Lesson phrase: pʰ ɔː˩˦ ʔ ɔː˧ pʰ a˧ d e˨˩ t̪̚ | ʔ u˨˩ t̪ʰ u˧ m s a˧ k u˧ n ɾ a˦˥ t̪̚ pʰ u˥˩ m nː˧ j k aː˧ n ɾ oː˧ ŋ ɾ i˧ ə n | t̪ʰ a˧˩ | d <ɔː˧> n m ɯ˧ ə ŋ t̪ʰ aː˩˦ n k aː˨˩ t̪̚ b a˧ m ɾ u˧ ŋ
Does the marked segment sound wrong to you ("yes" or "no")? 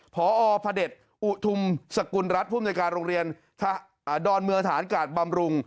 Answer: no